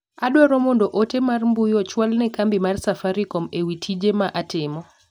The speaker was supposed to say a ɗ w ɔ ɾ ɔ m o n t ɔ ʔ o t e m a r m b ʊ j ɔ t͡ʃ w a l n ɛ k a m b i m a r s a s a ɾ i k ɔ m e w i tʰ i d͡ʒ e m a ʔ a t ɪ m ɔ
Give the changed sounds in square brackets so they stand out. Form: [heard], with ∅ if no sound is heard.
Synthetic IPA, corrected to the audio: a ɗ w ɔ ɾ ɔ m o n [d] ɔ ʔ o t e m a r m b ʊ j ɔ t͡ʃ w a l n ɛ k a m b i m a r s a [f] a ɾ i k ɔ m e w i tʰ i d͡ʒ e m a ʔ a t ɪ m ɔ